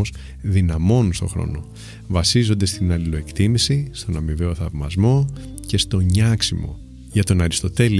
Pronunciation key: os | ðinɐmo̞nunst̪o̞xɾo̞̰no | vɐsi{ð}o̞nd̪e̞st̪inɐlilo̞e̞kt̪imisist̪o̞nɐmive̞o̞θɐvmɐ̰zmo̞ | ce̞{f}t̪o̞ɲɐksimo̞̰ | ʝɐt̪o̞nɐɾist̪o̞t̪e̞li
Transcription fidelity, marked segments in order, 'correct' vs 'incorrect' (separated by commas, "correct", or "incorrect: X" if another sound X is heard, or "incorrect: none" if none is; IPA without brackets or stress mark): incorrect: z, incorrect: s